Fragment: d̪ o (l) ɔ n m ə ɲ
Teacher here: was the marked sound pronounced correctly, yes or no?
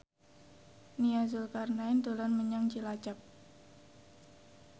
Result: yes